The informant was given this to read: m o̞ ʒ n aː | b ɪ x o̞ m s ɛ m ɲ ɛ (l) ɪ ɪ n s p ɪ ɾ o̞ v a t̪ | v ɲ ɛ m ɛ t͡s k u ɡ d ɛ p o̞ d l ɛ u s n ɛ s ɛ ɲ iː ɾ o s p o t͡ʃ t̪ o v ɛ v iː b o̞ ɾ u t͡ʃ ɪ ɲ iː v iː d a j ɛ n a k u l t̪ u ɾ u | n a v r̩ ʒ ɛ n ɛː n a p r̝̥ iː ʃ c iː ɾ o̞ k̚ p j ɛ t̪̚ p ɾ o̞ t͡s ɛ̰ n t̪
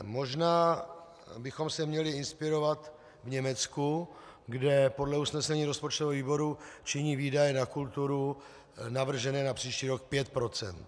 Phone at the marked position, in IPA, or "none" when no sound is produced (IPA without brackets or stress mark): l